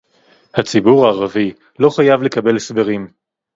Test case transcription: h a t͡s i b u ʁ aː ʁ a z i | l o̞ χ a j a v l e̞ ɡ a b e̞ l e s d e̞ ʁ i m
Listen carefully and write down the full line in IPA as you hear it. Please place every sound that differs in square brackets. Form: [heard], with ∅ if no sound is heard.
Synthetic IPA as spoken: h a t͡s i b u ʁ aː ʁ a [v] i | l o̞ χ a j a v l e̞ [k] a b e̞ l e s [b] e̞ ʁ i m